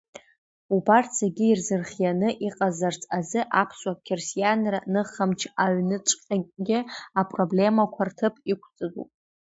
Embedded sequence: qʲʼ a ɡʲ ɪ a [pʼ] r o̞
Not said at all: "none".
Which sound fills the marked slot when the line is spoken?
pʼ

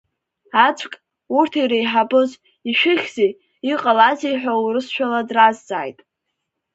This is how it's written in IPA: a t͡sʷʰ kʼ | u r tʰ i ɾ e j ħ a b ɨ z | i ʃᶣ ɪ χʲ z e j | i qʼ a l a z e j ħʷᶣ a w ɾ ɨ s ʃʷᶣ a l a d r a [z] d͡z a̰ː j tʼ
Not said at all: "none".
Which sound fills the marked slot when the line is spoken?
z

